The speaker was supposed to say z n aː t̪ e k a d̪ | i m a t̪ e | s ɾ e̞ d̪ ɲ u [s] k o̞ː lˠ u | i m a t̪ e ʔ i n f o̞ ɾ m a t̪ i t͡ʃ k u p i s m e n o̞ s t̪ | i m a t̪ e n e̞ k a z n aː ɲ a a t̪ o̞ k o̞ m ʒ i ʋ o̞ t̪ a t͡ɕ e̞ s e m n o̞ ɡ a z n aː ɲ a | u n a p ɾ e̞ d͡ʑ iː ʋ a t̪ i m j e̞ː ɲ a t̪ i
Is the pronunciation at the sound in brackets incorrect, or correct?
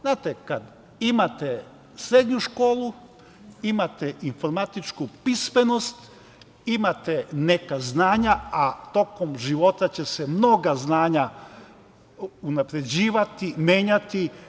incorrect